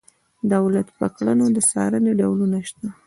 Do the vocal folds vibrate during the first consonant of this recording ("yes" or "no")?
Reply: yes